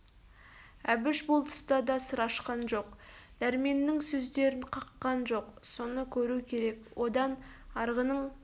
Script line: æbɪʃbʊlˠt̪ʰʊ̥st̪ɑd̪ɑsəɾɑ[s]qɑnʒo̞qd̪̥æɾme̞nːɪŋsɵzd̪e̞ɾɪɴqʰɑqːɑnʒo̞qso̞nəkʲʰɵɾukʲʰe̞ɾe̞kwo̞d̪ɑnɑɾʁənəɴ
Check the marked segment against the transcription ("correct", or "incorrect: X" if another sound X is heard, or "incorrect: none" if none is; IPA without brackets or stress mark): incorrect: ʃ